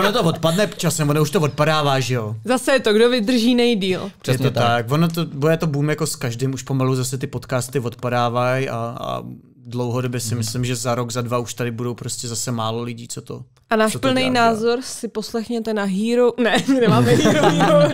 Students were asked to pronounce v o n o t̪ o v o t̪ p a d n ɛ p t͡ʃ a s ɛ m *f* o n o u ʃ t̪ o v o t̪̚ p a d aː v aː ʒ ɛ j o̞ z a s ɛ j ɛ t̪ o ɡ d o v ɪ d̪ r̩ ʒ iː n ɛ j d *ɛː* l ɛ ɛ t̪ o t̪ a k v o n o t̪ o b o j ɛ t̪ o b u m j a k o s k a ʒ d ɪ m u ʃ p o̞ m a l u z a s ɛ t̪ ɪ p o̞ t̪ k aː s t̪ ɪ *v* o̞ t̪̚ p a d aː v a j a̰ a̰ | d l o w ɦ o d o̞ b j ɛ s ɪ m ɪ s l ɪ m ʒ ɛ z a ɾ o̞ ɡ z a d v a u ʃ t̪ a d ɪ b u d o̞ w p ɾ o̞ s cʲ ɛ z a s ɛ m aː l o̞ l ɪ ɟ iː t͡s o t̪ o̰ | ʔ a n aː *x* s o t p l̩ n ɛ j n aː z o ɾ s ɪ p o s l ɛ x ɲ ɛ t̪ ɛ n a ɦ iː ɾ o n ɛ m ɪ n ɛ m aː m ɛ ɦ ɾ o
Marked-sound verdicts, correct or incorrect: incorrect: v, incorrect: iː, correct, incorrect: ʃ

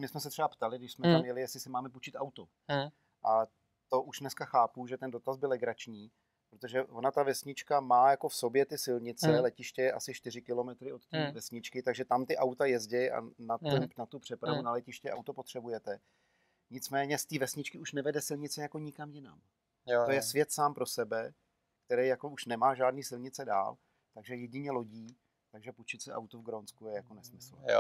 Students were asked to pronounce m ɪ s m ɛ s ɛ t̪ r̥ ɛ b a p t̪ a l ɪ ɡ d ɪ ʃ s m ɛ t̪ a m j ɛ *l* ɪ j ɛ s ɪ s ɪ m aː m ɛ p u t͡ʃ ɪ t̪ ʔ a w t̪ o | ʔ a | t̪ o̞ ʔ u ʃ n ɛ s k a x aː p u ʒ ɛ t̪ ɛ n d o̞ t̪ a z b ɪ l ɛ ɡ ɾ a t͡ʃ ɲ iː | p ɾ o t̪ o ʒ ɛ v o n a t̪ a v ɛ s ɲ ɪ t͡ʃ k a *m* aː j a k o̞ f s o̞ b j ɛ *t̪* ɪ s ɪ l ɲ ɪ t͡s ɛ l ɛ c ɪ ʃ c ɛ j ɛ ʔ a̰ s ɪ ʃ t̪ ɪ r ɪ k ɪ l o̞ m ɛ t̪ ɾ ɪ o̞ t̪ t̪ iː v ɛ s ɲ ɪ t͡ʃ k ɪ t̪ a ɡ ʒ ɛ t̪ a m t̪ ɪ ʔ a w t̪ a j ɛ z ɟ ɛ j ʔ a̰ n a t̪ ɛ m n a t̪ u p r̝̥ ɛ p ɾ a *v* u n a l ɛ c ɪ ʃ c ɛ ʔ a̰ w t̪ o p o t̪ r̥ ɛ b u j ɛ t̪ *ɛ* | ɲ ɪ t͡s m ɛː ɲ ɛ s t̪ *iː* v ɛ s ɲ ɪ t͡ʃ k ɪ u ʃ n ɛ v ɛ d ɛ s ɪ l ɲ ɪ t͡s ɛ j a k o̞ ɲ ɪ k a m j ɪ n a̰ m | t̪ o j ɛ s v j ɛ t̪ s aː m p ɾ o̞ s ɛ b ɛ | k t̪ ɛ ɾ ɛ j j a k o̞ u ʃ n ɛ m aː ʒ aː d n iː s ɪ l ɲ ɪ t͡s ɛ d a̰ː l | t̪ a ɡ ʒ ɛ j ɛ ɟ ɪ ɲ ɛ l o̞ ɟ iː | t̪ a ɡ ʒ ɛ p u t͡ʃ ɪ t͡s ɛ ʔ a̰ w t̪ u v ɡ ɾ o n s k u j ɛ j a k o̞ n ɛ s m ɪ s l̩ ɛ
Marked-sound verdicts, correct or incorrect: correct, correct, correct, correct, correct, correct

